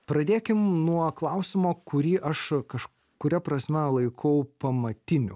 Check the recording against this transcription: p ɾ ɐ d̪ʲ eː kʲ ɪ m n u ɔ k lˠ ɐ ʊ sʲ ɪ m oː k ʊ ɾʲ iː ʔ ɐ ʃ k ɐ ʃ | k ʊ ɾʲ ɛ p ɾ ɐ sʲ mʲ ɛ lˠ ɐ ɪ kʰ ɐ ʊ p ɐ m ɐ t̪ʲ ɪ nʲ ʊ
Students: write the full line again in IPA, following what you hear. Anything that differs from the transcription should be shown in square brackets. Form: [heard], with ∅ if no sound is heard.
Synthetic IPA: p ɾ ɐ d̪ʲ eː kʲ ɪ m n u ɔ k lˠ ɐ ʊ sʲ ɪ m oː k ʊ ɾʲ iː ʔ ɐ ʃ k ɐ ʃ | k ʊ ɾʲ ɛ p ɾ ɐ sʲ mʲ ɛ lˠ ɐ ɪ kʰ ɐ ʊ p ɐ m ɐ t̪ʲ ɪ nʲ ʊ